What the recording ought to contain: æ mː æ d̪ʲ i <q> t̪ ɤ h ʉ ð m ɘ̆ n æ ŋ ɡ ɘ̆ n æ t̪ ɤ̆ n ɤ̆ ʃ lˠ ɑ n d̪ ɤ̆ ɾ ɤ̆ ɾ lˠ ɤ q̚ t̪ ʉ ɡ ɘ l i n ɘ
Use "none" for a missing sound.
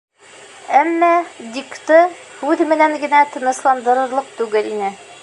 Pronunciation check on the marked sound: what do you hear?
k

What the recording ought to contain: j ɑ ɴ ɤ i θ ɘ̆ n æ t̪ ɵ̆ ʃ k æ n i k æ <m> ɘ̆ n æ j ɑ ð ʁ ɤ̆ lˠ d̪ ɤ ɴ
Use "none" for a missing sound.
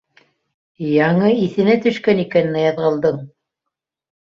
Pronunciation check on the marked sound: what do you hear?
n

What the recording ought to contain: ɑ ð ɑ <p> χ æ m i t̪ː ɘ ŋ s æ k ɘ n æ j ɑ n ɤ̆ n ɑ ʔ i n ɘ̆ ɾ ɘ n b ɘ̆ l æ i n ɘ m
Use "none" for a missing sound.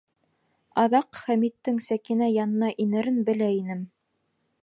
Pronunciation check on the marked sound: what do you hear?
q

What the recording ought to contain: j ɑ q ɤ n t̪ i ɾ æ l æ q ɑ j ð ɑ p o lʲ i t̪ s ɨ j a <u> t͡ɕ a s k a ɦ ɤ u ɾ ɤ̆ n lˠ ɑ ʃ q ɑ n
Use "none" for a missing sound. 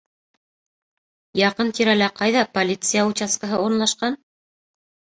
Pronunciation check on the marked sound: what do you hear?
u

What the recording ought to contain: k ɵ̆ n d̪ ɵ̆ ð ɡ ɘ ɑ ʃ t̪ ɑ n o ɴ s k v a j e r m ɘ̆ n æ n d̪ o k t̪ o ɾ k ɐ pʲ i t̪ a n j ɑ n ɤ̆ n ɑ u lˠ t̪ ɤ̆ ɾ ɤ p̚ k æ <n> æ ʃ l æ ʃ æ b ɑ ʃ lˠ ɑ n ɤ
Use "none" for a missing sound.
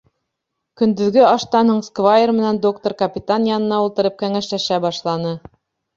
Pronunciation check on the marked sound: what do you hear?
ŋ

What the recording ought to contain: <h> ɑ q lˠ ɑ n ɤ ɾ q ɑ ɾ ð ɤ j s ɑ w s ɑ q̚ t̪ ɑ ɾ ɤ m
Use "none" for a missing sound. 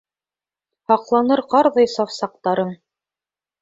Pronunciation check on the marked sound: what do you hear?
h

